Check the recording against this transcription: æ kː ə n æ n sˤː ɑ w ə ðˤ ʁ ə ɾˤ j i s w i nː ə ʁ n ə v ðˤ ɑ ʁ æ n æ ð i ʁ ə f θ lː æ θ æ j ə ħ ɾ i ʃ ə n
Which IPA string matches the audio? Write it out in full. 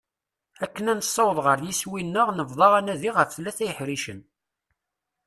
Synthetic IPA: æ kː ə n æ n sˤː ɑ w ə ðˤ ʁ ə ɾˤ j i s w i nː ə ʁ n ə v ðˤ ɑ ʁ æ n æ ð i ʁ ə f θ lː æ θ æ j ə ħ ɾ i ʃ ə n